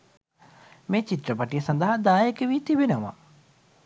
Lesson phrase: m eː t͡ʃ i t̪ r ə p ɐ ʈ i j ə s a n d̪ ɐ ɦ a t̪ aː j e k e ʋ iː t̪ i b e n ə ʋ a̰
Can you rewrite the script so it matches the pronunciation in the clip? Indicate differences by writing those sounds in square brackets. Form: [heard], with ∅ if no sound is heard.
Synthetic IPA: m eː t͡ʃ i t̪ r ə p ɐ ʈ i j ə s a n d̪ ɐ ɦ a [d̪] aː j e k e ʋ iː t̪ i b e n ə ʋ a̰